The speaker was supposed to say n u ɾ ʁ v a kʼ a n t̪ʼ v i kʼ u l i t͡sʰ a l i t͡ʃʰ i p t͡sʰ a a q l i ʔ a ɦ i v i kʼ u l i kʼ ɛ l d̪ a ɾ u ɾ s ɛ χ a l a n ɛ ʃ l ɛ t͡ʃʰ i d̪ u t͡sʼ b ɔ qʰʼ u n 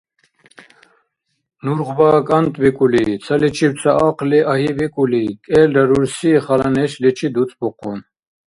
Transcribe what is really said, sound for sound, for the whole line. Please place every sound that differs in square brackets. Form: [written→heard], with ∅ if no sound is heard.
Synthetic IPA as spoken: n u ɾ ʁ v a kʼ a n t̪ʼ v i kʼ u l i t͡sʰ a l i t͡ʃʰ i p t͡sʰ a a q l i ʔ a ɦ i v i kʼ u l i kʼ ɛ l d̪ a ɾ u ɾ s [ɛ→i] χ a l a n ɛ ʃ l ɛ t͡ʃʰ i d̪ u t͡sʼ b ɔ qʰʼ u n